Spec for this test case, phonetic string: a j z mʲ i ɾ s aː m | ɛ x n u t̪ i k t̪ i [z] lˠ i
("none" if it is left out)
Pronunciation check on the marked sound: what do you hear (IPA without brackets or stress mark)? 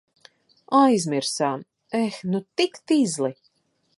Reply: z